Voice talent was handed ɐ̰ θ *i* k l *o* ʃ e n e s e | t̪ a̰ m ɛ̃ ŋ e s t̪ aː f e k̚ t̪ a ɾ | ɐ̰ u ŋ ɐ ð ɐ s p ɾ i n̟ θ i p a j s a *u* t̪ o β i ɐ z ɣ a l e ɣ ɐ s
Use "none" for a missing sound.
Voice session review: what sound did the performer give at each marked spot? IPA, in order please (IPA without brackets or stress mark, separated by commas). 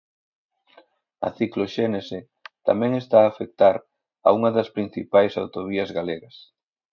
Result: i, o, w